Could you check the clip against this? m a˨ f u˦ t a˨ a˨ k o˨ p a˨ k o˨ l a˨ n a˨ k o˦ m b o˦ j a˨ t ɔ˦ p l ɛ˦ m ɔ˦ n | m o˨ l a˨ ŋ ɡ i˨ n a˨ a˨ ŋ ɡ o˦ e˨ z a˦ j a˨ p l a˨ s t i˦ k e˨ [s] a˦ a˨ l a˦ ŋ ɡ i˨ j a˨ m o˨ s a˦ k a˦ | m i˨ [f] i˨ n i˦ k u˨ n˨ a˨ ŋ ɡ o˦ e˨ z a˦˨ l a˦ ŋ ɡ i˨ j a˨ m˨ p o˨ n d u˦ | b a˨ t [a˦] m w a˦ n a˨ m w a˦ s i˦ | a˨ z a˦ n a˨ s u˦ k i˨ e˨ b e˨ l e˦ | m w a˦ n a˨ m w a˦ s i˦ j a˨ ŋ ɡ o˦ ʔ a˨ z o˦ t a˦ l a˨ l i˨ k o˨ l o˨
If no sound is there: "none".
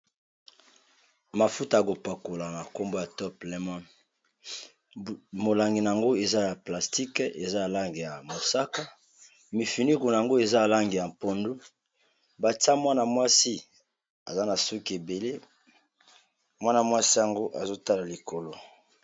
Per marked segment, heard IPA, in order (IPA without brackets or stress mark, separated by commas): z, f, a˦